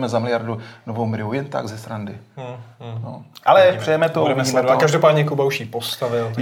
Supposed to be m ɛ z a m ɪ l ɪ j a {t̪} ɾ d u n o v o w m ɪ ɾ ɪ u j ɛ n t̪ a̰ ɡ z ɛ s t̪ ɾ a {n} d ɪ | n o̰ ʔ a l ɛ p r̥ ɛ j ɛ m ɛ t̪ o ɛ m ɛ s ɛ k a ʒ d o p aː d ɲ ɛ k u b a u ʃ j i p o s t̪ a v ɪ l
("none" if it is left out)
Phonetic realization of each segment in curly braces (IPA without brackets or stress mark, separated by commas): none, n